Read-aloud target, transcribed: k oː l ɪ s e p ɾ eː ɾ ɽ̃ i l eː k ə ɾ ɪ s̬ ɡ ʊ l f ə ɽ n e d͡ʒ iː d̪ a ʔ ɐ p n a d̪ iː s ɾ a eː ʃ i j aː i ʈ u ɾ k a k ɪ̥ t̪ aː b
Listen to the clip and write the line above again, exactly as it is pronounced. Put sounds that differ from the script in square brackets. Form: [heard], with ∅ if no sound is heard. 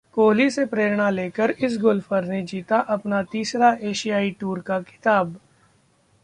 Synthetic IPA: k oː l [i] s e p ɾ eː ɾ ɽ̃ [a] l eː k ə ɾ ɪ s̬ ɡ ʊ l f ə [ɾ] n e d͡ʒ iː [t̪] a ʔ ɐ p n a [t̪] iː s ɾ a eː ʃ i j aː i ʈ [uː] ɾ k a k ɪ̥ t̪ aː b

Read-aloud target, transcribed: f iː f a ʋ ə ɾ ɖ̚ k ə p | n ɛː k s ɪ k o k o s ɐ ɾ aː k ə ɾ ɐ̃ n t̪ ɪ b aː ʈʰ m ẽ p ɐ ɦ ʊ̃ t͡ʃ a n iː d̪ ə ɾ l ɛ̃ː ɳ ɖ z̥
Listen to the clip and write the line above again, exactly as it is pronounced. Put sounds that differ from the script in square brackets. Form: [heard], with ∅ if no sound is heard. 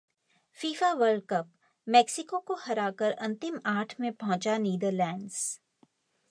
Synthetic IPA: f iː f a ʋ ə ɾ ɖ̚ k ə p | [m] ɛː k s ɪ k o k o [h] ɐ ɾ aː k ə ɾ ɐ̃ n t̪ ɪ [m] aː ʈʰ m ẽ p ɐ ɦ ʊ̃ t͡ʃ a n iː d̪ ə ɾ l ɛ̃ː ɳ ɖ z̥

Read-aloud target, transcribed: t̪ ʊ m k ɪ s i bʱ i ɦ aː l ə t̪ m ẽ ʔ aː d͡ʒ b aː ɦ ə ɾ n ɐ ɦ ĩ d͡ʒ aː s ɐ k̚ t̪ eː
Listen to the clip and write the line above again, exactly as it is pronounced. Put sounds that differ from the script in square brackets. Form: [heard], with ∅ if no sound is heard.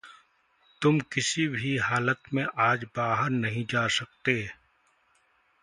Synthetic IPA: t̪ ʊ m k ɪ s i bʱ i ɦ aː l ə t̪ m ẽ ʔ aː d͡ʒ b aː ɦ ə ɾ n ɐ ɦ ĩ d͡ʒ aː s ɐ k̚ t̪ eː

